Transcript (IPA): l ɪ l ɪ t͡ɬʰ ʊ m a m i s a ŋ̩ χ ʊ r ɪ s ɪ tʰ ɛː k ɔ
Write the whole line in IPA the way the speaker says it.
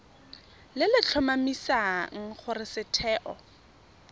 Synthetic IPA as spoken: l ɪ l ɪ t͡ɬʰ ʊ m a m i s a ŋ̩ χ ʊ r ɪ s ɪ tʰ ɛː ʔ ɔ